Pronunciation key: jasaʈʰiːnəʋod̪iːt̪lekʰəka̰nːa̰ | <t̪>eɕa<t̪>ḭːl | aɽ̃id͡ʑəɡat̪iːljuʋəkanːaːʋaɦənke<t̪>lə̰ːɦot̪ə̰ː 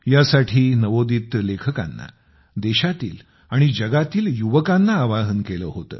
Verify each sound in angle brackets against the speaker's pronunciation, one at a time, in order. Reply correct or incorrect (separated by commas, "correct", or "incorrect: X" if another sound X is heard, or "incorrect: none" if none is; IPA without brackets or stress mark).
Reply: incorrect: d̪, correct, incorrect: none